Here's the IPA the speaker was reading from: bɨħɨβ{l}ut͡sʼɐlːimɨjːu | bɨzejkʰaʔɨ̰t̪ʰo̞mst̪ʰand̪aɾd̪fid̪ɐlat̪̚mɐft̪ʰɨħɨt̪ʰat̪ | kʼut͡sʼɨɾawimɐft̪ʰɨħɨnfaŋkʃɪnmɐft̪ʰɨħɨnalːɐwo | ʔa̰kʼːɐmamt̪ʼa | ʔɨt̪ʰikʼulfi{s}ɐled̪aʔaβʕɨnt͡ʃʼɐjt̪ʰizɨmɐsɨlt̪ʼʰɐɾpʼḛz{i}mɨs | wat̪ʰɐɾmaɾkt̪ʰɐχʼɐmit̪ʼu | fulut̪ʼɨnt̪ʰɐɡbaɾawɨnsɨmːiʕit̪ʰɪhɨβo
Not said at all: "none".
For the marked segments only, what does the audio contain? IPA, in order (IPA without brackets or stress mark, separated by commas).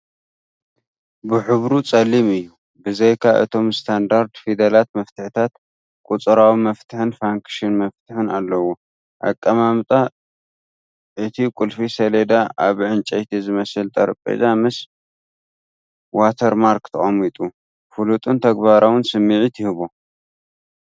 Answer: ɾ, s, a